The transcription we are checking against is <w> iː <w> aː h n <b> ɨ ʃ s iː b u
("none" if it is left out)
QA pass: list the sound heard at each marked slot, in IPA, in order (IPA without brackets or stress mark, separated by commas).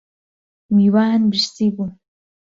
w, w, b